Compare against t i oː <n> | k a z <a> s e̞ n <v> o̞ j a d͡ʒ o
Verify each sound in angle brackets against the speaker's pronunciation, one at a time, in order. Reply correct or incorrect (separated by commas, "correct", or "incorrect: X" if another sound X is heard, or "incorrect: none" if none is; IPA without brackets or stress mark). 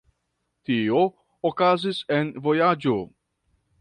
incorrect: none, incorrect: i, correct